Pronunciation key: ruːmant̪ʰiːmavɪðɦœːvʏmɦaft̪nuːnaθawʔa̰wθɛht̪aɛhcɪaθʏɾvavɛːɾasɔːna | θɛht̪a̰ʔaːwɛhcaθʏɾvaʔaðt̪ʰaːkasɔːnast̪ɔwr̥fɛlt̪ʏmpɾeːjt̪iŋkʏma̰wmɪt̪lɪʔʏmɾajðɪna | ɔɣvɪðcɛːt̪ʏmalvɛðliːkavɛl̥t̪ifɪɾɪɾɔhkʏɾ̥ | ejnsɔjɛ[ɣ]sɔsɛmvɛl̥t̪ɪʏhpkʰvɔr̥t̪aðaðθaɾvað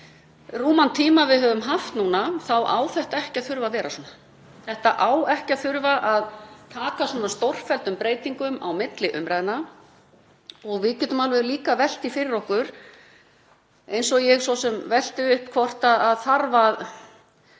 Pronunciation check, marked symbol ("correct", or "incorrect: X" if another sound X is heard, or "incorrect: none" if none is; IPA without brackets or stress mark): correct